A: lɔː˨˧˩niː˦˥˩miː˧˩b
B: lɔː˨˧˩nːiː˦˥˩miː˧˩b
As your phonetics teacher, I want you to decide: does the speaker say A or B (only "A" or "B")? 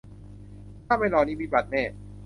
A